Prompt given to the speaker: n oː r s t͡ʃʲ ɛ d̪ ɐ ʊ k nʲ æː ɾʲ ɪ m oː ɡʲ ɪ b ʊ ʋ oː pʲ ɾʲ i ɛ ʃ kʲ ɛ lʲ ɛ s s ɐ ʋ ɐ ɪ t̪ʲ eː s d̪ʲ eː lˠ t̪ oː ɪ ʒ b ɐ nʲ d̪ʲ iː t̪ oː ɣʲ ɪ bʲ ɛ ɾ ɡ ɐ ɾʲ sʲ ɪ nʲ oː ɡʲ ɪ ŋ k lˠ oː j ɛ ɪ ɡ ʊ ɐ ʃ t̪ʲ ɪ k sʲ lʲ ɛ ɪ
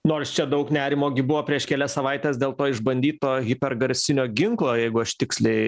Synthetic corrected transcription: n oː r s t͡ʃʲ ɛ d̪ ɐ ʊ k nʲ æː ɾʲ ɪ m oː ɡʲ ɪ b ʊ ʋ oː pʲ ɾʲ i ɛ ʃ kʲ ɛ lʲ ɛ s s ɐ ʋ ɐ ɪ t̪ʲ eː s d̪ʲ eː lˠ t̪ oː ɪ ʒ b ɐ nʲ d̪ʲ iː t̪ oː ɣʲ ɪ pʲ ɛ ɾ ɡ ɐ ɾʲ sʲ ɪ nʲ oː ɡʲ ɪ ŋ k lˠ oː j ɛ ɪ ɡ ʊ ɐ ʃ t̪ʲ ɪ k sʲ lʲ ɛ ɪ